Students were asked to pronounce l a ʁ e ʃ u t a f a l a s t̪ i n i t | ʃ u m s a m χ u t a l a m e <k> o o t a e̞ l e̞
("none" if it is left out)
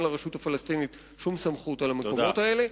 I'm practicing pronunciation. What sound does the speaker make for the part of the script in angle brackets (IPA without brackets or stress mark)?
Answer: k